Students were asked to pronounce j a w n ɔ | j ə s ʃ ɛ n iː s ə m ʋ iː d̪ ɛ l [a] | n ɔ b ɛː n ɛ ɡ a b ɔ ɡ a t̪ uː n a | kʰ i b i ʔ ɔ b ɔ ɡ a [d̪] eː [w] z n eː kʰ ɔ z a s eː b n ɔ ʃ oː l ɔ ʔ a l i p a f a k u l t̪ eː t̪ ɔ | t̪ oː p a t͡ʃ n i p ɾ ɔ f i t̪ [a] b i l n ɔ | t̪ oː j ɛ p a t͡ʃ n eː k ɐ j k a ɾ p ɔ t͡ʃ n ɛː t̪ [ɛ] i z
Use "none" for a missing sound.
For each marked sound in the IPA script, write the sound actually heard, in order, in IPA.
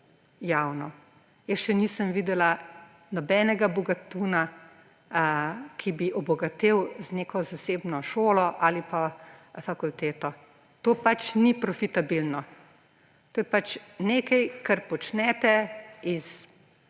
a, t̪, w, a, ɛ

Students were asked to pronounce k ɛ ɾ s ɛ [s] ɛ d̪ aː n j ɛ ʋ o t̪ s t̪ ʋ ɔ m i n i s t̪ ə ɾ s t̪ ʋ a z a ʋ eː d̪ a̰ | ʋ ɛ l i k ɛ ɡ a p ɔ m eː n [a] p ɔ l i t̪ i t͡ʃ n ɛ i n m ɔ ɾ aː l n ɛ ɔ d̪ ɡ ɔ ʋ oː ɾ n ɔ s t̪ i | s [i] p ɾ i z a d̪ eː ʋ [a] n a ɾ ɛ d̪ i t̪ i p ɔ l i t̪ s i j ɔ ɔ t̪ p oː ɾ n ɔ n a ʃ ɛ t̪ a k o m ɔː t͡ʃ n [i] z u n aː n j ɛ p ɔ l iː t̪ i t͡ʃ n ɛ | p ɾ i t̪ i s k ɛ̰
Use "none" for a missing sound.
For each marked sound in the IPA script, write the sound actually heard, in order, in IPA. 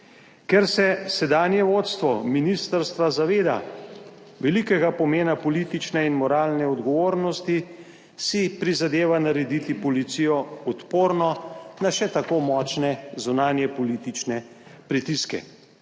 s, a, i, a, ɛ

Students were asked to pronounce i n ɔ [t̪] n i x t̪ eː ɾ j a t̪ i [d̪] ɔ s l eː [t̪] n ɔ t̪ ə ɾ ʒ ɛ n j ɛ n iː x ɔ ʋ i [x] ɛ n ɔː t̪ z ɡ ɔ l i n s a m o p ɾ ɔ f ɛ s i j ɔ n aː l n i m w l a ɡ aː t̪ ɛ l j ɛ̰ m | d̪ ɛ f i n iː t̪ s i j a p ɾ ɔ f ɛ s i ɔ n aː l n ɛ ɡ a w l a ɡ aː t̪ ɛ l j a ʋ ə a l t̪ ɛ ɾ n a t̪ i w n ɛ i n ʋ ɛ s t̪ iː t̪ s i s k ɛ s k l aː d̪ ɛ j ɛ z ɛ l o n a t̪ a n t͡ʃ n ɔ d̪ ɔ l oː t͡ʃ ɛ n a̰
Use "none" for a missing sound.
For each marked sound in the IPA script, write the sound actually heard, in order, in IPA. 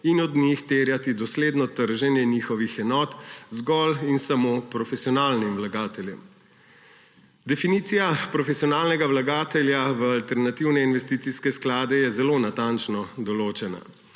d̪, d̪, d̪, x

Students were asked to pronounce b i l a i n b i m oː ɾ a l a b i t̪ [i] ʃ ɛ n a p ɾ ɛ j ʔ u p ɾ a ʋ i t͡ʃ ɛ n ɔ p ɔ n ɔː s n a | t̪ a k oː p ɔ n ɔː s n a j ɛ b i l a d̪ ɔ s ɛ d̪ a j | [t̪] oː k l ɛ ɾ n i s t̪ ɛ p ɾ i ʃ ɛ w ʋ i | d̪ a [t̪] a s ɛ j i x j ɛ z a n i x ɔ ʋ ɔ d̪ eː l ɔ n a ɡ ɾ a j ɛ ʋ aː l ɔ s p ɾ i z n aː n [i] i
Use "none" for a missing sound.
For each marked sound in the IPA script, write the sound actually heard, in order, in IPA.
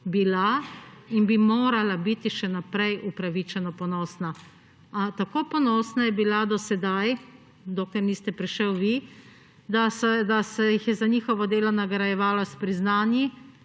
i, d̪, d̪, j

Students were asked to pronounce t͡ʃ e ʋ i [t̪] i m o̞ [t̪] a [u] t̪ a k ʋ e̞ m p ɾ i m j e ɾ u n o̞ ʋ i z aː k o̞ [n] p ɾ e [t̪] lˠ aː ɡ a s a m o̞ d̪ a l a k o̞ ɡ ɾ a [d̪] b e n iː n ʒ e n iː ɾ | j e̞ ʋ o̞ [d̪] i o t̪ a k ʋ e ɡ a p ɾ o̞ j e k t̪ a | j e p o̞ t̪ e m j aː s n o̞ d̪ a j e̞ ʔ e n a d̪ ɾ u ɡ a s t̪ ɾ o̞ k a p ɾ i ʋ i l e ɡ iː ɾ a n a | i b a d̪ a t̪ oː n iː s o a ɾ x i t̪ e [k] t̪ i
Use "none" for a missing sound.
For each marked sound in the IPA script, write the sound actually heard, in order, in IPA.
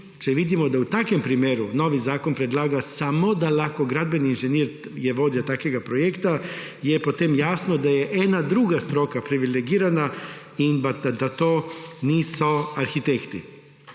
d̪, d̪, u, n, d̪, d̪, d̪, k

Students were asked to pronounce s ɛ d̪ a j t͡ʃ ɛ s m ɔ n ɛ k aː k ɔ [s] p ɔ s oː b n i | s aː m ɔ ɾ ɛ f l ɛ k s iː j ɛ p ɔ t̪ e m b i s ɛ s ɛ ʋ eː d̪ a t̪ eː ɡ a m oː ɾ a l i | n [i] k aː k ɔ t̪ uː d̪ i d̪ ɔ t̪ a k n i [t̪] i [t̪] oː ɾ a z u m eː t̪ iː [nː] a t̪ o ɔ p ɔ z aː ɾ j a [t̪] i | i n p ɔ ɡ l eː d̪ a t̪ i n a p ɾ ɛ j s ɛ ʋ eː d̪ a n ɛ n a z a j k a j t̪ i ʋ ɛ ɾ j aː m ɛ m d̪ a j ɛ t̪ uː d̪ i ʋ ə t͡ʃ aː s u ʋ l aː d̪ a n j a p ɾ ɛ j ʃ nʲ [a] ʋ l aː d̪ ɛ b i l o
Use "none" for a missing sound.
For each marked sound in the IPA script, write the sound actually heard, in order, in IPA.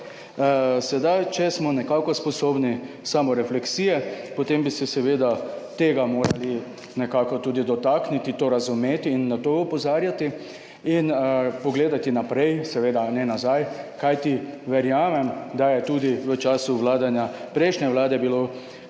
s, ɛ, t̪, t̪, nː, t̪, ɛ

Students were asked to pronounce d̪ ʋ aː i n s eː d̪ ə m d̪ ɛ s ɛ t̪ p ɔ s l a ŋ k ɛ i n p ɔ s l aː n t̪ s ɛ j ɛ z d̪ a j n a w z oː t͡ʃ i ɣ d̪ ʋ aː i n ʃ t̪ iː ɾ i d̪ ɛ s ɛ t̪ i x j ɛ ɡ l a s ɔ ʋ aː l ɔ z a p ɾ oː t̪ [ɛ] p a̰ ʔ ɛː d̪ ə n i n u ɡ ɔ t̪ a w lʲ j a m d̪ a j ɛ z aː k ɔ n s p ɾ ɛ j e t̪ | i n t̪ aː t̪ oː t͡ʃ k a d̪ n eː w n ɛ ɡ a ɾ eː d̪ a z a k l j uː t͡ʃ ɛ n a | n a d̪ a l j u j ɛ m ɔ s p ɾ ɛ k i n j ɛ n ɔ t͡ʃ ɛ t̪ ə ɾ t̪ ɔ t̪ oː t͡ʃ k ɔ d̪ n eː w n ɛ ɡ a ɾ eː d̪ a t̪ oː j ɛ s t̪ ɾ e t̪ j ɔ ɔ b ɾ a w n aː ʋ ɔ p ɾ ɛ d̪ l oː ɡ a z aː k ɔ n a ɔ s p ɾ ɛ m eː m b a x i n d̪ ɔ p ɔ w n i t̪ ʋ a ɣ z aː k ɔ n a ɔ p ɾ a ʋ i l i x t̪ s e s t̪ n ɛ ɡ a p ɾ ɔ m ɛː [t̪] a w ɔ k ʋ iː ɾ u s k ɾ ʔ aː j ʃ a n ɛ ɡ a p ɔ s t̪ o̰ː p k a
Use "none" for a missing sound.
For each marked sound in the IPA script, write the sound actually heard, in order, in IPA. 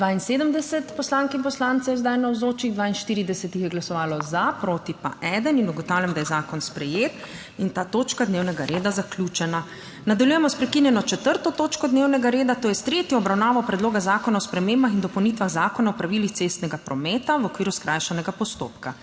i, t̪

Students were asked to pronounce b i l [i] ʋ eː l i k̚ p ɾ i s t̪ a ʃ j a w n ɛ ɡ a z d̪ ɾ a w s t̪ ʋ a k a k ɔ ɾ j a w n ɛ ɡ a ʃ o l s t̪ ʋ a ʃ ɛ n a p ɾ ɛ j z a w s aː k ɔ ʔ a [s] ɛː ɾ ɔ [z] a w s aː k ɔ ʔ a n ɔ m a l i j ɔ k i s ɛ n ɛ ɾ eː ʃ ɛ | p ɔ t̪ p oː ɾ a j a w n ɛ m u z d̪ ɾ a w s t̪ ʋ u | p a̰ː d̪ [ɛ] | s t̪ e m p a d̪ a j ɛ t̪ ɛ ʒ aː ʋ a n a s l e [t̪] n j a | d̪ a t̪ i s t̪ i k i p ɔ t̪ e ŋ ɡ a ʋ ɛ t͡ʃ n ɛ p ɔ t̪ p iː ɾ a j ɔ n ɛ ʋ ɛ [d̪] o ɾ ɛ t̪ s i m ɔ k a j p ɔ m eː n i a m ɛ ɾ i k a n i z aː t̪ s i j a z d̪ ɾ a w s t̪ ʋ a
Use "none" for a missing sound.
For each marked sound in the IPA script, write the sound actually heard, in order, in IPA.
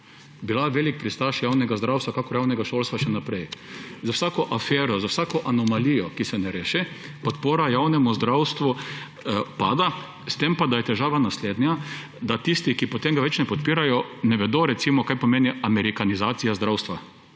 a, f, z, a, d̪, d̪

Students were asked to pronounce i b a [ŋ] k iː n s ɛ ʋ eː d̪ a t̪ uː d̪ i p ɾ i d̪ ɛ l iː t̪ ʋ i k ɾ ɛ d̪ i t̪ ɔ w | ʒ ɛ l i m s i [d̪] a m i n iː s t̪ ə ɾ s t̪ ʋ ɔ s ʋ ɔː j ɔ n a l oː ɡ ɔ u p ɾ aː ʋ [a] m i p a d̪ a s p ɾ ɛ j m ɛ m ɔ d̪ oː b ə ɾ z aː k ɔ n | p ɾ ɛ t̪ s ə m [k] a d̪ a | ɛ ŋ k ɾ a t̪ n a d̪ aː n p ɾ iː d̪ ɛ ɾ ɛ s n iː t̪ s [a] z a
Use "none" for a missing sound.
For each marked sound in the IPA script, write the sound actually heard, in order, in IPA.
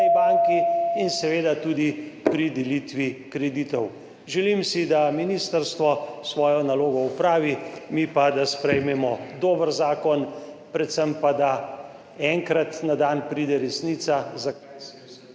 ŋ, d̪, i, p, a

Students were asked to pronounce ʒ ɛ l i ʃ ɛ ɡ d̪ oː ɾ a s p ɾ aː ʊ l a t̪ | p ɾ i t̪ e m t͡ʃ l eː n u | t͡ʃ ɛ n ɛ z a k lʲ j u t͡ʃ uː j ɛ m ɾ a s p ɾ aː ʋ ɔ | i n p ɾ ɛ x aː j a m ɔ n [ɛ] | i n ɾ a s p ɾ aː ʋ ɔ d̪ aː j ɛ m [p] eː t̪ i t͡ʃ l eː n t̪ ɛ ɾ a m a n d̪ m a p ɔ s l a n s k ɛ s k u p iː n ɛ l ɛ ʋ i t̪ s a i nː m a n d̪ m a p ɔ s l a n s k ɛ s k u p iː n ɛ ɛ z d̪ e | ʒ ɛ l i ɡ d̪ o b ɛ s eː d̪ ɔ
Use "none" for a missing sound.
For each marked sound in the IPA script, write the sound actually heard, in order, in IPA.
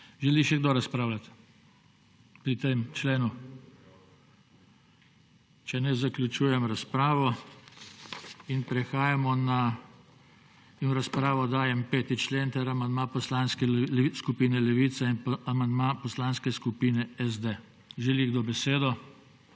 a, p

